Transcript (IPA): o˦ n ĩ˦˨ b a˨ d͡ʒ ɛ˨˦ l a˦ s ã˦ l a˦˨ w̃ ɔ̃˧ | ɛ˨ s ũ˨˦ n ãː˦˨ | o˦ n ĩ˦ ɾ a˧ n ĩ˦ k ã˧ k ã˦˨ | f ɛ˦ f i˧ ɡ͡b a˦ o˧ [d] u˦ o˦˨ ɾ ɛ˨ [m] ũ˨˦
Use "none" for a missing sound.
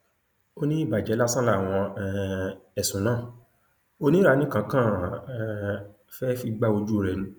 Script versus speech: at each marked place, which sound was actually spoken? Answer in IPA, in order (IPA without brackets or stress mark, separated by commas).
d͡ʒ, n